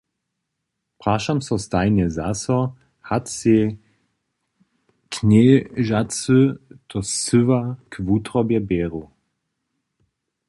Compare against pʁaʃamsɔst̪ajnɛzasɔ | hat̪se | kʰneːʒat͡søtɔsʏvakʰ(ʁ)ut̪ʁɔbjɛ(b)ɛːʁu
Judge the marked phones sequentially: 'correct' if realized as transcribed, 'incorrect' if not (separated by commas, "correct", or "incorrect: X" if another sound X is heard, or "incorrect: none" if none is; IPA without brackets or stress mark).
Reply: incorrect: v, correct